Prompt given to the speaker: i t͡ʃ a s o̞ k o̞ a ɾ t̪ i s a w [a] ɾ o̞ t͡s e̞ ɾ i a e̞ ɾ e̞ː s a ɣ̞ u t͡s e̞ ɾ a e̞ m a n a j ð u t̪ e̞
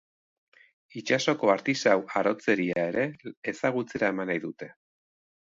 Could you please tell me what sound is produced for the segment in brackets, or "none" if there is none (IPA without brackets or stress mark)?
a